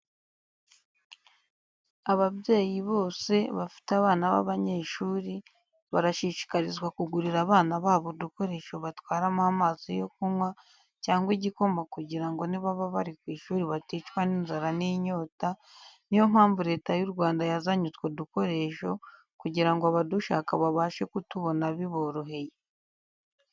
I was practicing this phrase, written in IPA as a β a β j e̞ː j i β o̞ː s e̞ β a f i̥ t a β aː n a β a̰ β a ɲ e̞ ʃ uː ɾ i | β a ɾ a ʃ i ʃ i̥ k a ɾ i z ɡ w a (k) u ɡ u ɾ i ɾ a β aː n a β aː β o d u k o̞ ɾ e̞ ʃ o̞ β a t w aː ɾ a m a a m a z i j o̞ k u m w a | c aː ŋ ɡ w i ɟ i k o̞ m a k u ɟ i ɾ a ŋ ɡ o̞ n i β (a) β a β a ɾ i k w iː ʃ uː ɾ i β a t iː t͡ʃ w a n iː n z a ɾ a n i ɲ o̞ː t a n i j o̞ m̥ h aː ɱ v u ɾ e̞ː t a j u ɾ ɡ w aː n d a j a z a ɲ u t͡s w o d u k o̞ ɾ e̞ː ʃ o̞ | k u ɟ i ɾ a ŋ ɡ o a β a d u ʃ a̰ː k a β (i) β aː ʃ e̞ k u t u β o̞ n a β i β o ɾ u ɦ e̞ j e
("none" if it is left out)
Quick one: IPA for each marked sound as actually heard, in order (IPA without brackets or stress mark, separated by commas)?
k, a, a